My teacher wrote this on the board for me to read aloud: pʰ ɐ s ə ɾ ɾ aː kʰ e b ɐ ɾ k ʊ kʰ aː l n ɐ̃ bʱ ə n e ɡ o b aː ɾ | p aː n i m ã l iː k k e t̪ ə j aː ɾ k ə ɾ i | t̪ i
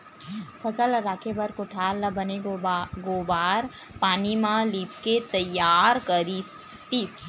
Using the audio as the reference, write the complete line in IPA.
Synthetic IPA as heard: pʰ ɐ s ə l ɾ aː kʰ e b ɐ ɾ k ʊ ʈʰ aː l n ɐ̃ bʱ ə n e ɡ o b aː ɾ | p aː n i m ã l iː p k e t̪ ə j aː ɾ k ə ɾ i | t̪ i